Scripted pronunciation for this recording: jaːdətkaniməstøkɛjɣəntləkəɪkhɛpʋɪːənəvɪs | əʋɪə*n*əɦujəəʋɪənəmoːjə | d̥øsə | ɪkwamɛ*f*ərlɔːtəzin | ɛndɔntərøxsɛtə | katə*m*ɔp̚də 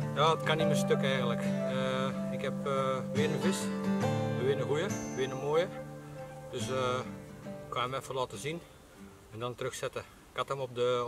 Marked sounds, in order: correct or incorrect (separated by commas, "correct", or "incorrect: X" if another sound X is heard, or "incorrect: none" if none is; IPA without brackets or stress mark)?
correct, correct, correct